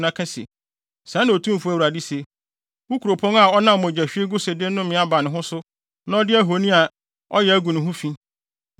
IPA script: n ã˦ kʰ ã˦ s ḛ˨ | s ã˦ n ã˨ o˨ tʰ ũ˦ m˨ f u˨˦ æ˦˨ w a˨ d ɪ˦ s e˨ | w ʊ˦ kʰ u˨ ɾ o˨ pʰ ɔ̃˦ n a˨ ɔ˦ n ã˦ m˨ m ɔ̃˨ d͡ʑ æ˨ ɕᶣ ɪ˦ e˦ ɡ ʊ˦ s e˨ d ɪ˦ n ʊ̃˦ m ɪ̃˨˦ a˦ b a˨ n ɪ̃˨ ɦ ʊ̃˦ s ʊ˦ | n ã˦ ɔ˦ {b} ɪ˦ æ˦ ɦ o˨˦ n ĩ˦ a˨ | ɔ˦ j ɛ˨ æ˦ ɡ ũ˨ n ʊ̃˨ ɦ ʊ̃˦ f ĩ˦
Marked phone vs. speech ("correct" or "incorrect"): incorrect